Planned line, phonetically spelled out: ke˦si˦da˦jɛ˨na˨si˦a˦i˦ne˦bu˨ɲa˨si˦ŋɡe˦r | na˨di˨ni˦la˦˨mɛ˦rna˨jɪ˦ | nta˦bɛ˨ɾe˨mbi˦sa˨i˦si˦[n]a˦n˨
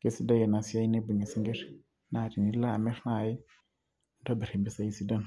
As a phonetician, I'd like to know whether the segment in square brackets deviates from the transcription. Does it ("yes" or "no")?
yes